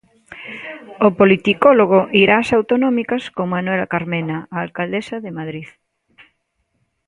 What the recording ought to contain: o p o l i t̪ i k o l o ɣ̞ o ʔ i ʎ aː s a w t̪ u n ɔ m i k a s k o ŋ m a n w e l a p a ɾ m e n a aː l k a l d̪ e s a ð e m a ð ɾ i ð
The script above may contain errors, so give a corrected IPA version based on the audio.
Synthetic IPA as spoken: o p o l i t̪ i k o l o ɣ̞ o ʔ i ɾ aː s a w t̪ o n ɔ m i k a s k o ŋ m a n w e l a k a ɾ m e n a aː l k a l d̪ e s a ð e m a ð ɾ i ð